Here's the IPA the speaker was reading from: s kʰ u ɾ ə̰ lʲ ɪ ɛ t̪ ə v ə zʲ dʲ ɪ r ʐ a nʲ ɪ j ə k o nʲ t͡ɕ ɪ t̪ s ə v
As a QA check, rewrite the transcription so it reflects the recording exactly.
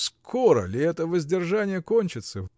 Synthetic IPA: s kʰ o ɾ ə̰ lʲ ɪ ɛ t̪ ə v ə zʲ dʲ ɪ r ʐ a nʲ ɪ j ə k o nʲ t͡ɕ ɪ t̪ s ə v